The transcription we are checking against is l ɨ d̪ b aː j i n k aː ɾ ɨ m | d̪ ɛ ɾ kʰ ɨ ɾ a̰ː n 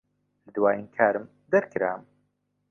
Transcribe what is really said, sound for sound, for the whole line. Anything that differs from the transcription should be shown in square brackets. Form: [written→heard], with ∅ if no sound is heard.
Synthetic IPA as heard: l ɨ d̪ [b→w] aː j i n [k→kʰ] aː ɾ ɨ m | d̪ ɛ ɾ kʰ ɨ ɾ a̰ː [n→m]